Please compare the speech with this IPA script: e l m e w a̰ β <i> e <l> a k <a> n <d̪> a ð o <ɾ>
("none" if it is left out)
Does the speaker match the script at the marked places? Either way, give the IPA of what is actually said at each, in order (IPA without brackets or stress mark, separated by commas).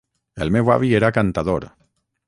i, ɾ, a, t̪, ɾ